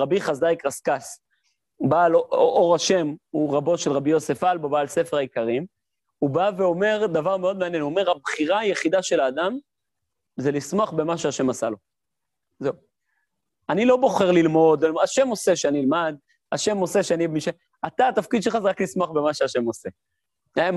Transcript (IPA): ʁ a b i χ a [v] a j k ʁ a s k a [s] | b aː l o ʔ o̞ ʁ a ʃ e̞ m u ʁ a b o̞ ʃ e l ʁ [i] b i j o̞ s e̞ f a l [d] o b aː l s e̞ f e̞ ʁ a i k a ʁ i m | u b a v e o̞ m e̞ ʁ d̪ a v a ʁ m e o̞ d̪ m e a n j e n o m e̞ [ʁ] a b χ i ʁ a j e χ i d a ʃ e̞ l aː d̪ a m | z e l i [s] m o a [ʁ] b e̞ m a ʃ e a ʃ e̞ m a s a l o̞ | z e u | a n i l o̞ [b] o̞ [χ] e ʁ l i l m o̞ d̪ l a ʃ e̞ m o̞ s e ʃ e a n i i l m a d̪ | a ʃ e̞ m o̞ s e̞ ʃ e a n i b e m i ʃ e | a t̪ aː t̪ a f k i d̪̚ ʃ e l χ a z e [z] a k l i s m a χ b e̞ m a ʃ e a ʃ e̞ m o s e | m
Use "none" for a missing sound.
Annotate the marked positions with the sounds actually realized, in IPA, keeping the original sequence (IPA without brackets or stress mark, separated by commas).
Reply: z, s, a, b, ʁ, s, χ, b, χ, ʁ